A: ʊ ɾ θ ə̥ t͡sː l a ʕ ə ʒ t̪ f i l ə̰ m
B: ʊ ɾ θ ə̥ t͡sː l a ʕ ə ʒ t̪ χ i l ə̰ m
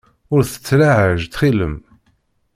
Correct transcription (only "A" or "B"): B